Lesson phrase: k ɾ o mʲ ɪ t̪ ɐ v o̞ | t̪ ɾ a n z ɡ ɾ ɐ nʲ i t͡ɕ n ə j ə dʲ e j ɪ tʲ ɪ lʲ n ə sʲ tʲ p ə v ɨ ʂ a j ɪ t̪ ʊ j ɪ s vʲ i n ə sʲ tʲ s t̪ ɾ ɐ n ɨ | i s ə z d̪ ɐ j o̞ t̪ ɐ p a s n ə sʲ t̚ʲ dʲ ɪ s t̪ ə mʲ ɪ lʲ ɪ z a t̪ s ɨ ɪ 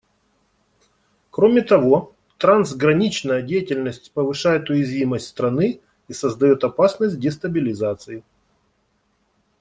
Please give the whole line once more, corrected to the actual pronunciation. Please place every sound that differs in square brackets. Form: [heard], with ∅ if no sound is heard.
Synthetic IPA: k ɾ o mʲ ɪ t̪ ɐ v o̞ | t̪ ɾ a n z ɡ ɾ ɐ nʲ i t͡ɕ n ə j ə dʲ e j ɪ tʲ ɪ lʲ n ə sʲ tʲ p ə v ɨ ʂ a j ɪ t̪ ʊ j ɪ [z] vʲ i [m] ə sʲ tʲ s t̪ ɾ ɐ n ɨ | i s ə z d̪ ɐ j o̞ t̪ ɐ p a s n ə sʲ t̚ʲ dʲ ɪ s t̪ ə [bʲ] ɪ lʲ ɪ z a t̪ s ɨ ɪ